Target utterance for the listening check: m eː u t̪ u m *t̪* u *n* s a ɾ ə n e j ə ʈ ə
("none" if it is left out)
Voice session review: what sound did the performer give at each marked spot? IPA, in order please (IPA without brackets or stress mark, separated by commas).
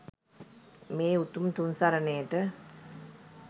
t̪, n